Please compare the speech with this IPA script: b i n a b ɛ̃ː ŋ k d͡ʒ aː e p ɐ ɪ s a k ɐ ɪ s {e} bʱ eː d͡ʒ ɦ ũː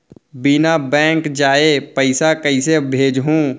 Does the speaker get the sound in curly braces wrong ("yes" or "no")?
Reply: no